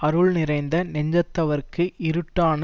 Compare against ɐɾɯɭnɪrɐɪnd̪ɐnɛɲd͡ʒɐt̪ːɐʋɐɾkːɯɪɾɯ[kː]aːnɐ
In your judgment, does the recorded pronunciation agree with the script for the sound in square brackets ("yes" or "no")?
no